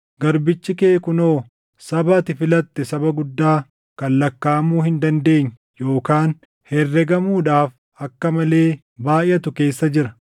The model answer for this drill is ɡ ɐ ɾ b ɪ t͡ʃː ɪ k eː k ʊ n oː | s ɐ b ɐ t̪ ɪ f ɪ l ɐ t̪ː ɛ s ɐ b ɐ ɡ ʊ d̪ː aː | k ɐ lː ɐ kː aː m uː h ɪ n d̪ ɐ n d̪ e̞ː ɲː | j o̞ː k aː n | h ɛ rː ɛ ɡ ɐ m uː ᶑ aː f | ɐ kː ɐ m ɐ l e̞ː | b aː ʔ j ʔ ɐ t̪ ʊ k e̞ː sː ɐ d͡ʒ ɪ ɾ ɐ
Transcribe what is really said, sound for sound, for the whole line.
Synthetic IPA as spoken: ɡ ɐ ɾ b ɪ t͡ʃː ɪ k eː k ʊ n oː | s ɐ b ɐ t̪ ɪ f ɪ l ɐ t̪ː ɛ s ɐ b ɐ ɡ ʊ d̪ː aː | k ɐ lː ɐ kː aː m uː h ɪ n d̪ ɐ n d̪ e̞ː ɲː | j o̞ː k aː n | h ɛ rː ɛ ɡ ɐ m uː ᶑ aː f | ɐ kː ɐ m ɐ l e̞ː | b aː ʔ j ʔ ɐ t̪ ʊ k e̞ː sː ɐ d͡ʒ ɪ ɾ ɐ